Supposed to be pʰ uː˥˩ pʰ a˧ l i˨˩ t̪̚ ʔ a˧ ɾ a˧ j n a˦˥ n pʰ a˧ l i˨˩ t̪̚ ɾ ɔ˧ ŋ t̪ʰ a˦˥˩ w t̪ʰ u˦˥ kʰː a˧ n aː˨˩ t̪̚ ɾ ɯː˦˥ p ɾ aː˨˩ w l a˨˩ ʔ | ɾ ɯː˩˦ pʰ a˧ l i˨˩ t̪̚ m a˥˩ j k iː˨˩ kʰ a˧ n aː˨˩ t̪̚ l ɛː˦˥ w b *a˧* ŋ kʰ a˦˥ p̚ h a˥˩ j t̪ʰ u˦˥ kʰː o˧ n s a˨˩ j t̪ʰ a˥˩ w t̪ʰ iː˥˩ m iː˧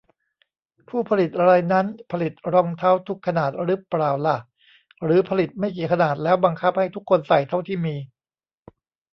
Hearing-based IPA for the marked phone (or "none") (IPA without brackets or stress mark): a˧